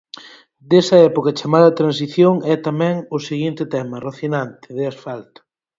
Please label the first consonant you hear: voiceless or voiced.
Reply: voiced